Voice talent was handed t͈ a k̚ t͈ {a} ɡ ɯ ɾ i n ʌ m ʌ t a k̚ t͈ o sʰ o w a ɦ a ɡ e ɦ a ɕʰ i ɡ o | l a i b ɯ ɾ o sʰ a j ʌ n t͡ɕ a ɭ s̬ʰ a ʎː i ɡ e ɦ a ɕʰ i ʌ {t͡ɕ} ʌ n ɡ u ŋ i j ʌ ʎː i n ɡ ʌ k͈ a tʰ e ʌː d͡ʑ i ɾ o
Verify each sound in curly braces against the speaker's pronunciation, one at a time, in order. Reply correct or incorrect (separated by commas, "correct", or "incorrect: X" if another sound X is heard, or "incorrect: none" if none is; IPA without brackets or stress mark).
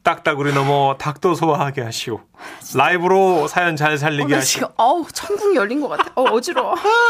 correct, incorrect: t͡ɕʰ